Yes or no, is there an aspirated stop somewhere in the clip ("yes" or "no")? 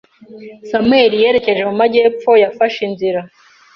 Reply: no